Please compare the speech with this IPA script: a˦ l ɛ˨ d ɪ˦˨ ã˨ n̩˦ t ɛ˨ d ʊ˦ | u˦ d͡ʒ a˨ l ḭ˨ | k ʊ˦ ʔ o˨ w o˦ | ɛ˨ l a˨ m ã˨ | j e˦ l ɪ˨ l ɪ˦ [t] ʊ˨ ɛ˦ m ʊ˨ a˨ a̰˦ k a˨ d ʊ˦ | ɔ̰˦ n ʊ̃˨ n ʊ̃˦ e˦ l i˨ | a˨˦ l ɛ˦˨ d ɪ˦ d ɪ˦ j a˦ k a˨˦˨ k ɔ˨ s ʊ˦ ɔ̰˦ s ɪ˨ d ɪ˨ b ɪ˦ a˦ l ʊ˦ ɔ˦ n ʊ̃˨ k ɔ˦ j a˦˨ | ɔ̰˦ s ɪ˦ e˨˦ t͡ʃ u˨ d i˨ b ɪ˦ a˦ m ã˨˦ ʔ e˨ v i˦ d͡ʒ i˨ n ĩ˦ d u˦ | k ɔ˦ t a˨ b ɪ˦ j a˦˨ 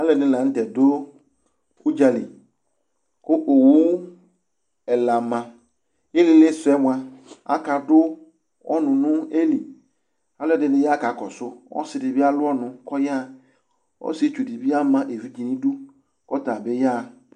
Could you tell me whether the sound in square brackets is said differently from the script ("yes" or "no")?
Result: yes